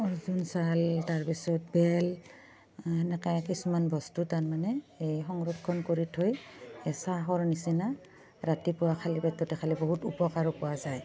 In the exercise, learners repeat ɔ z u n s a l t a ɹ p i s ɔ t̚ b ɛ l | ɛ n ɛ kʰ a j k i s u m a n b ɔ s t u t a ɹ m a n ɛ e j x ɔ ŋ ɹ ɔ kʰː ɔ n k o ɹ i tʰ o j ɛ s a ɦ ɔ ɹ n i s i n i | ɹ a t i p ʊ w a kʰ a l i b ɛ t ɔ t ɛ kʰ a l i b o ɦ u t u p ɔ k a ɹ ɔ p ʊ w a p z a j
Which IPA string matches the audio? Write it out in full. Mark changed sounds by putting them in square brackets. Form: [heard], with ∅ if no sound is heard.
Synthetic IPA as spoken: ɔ z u n s a l t a ɹ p i s ɔ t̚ b ɛ l | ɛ n ɛ [k] a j k i s u m a n b ɔ s t u t a ɹ m a n ɛ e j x ɔ ŋ ɹ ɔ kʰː ɔ n k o ɹ i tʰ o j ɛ s a ɦ ɔ ɹ n i s i n [a] | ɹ a t i p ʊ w a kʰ a l i b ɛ t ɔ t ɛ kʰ a l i b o ɦ u t u p ɔ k a ɹ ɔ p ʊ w a [∅] z a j